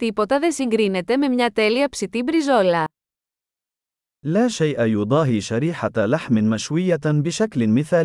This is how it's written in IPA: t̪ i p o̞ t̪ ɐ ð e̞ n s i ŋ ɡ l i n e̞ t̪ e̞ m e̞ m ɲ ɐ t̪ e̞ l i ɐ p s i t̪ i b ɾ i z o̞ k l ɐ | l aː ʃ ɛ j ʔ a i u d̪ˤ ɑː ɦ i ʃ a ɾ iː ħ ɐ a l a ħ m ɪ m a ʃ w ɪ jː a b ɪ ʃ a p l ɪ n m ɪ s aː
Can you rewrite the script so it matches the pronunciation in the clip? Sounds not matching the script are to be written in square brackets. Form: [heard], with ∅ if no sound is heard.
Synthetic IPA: t̪ i p o̞ t̪ ɐ ð e̞ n s i ŋ ɡ [ɾ] i n e̞ t̪ e̞ m e̞ m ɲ ɐ t̪ e̞ l i ɐ p s i t̪ i b ɾ i z o̞ [∅] l ɐ | l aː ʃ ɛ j ʔ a [j] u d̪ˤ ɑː ɦ i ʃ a ɾ iː ħ [a] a l a ħ m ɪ m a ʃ w ɪ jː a b ɪ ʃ a [k] l ɪ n m ɪ [θ] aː